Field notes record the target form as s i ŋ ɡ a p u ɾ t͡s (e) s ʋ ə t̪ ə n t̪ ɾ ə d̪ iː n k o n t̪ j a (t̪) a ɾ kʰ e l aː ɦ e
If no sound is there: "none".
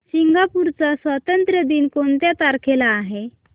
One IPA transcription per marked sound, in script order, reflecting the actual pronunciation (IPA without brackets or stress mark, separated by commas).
a, t̪